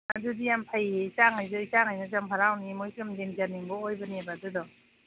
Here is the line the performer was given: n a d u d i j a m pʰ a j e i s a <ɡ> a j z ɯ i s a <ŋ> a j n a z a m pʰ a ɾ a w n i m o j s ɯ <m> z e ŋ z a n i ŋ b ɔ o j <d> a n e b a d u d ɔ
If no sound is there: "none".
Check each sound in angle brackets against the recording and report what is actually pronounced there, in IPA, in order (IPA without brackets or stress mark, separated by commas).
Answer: ŋ, ŋ, m, b